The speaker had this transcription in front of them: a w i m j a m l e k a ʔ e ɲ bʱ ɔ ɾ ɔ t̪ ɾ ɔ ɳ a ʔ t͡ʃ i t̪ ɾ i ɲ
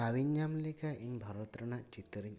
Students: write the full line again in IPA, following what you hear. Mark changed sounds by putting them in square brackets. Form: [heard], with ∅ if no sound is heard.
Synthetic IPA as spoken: a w i [ɲ] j a m l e k a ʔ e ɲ bʱ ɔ ɾ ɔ t̪ ɾ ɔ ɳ a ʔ t͡ʃ i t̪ ɾ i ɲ